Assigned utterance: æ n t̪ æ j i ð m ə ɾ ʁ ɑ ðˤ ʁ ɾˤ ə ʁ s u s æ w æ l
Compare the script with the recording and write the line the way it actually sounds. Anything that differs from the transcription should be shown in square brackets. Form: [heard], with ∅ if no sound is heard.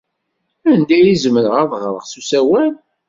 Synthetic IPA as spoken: æ n [d̪] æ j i [z] m ə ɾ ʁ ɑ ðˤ ʁ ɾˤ ə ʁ s u s æ w æ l